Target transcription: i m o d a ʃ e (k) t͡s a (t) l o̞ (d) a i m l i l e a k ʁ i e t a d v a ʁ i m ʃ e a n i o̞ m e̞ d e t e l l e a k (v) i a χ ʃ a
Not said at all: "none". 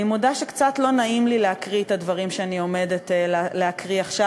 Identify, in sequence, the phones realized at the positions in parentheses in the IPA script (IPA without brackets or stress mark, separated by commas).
k, t, n, ʁ